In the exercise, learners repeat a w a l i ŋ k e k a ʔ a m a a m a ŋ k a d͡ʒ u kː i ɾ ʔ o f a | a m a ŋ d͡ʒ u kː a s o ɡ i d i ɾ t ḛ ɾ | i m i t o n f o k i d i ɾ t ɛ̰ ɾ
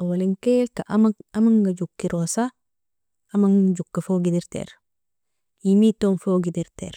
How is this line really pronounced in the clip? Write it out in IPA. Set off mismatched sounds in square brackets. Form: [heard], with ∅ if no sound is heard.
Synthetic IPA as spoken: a w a l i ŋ k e k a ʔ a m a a m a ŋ [ɡ] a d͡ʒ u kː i ɾ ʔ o [s] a | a m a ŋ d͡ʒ u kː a [f] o ɡ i d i ɾ t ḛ ɾ | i m i t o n f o [ɡ] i d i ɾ t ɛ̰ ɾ